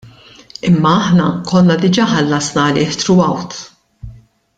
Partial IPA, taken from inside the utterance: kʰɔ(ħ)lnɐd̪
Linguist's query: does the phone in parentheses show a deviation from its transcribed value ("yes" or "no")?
yes